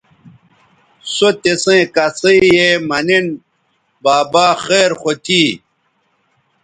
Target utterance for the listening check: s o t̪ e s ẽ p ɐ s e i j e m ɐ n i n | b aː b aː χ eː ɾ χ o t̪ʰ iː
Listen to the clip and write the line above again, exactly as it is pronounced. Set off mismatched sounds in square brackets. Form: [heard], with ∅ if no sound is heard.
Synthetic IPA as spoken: s o t̪ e s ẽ [k] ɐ s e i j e m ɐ n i n | b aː b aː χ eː ɾ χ o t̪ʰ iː